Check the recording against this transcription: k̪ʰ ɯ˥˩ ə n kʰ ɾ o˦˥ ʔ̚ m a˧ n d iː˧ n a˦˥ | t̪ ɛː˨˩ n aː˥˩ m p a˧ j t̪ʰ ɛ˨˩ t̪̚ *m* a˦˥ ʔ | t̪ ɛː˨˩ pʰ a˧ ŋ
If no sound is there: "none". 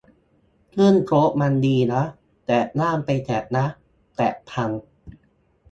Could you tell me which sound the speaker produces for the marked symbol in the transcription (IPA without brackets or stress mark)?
n